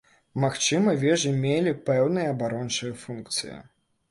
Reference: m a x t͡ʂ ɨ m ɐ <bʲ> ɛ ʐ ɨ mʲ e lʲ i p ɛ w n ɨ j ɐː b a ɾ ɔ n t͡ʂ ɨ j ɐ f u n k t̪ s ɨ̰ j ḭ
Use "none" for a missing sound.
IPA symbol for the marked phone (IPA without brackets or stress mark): vʲ